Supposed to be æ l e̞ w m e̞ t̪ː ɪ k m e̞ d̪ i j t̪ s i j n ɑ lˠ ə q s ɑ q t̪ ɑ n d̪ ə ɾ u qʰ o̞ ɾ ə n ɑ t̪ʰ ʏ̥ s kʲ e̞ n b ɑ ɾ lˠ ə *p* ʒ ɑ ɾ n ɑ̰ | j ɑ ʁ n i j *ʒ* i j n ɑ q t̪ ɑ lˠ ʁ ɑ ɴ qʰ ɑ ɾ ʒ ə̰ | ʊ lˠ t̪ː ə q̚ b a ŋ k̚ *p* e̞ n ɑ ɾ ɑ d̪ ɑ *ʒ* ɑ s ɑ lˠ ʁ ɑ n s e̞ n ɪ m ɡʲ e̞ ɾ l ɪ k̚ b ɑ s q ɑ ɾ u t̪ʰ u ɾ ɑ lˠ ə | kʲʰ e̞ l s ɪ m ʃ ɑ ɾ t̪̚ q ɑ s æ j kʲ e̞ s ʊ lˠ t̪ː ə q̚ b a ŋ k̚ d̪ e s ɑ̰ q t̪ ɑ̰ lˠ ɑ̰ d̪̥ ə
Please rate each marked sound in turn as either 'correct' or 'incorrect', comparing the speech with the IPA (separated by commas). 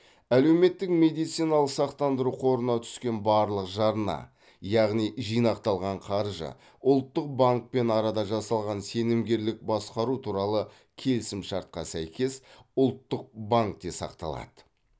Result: incorrect, correct, correct, correct